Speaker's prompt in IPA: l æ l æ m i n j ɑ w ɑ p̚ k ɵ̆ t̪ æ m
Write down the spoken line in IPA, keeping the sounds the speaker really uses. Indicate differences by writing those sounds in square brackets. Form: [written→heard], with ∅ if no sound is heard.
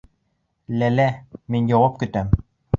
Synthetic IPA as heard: l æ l æ m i n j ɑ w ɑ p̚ k ɵ̆ t̪ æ m